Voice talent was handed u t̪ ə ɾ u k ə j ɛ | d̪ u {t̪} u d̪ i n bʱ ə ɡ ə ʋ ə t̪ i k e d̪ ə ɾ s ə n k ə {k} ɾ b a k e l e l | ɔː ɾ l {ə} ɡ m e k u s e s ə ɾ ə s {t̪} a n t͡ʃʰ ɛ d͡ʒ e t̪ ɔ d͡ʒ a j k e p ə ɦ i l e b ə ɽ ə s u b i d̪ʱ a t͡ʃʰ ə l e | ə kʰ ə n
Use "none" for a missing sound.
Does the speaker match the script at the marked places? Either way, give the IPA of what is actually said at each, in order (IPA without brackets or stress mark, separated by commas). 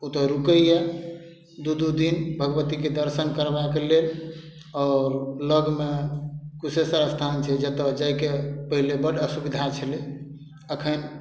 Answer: d̪, none, ə, t̪ʰ